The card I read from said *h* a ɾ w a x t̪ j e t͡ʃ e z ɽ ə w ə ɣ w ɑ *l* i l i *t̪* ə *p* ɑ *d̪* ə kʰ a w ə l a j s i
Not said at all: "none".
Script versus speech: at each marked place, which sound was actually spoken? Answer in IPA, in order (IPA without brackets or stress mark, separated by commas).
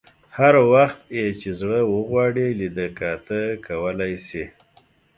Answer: h, ɽ, d̪, k, t̪